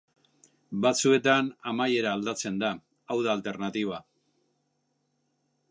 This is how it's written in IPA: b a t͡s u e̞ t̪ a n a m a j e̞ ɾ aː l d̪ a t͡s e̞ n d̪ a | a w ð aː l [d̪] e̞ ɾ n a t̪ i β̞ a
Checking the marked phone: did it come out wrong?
yes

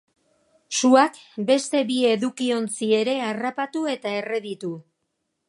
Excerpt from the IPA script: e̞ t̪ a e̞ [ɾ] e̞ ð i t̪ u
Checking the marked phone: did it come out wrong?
yes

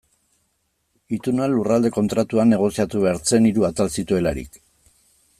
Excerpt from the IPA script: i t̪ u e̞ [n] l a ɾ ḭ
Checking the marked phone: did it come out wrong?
yes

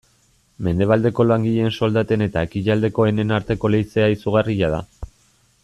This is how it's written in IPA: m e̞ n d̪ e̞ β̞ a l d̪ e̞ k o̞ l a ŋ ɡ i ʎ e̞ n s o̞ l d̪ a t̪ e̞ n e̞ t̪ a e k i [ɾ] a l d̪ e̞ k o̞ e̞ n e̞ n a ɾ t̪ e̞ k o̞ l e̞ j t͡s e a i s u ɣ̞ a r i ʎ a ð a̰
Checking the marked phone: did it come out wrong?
yes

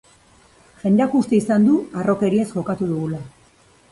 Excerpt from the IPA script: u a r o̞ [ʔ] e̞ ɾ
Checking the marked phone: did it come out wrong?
yes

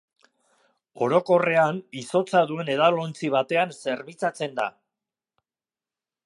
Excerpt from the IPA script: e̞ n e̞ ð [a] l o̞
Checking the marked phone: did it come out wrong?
no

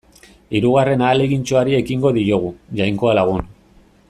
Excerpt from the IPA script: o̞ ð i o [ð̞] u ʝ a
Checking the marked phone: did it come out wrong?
yes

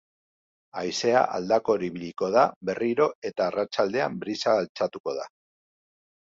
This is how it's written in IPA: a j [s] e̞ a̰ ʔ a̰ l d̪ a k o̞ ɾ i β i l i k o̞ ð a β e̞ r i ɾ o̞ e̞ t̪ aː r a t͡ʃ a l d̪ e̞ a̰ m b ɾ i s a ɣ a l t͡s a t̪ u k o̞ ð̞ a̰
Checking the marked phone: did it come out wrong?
no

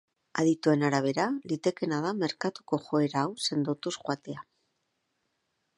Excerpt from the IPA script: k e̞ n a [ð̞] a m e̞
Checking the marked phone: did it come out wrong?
no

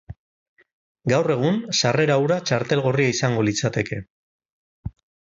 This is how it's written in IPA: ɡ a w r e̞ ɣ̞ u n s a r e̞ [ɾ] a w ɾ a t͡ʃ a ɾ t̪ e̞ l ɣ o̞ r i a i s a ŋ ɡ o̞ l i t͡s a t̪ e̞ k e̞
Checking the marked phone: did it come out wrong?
no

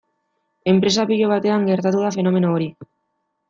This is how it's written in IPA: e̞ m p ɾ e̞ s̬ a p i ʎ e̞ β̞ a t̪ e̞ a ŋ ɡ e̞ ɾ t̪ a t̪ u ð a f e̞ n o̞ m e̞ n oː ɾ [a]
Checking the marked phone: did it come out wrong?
yes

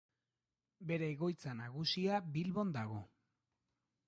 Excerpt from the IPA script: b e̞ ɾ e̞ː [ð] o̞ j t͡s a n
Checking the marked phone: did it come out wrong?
yes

